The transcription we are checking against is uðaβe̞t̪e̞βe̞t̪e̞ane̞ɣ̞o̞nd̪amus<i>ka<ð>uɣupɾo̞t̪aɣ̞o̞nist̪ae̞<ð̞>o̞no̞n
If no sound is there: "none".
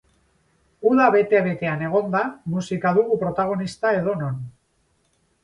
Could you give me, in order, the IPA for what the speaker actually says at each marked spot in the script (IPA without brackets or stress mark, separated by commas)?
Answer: i, ð, ð̞